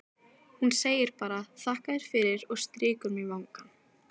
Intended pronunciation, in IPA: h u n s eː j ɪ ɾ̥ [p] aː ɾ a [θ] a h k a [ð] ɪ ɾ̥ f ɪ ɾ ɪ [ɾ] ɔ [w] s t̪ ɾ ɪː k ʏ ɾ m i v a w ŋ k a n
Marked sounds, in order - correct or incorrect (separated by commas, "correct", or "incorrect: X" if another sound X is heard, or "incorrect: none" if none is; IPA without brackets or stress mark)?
correct, correct, correct, correct, incorrect: ɣ